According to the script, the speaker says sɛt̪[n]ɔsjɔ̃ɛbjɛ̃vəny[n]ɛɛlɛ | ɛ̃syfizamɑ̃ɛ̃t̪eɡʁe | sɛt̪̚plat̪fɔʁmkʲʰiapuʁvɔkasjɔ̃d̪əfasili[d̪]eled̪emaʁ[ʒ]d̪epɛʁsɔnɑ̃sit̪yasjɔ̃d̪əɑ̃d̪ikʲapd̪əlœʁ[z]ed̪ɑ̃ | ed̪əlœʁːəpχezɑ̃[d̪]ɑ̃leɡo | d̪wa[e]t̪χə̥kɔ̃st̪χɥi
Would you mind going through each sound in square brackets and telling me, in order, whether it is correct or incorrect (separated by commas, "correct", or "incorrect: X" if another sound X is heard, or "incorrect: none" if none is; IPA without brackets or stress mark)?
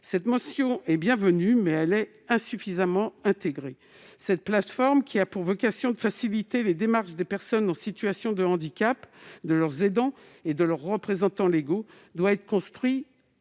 incorrect: m, incorrect: m, incorrect: t̪, incorrect: ʃ, correct, incorrect: t̪, incorrect: ɛ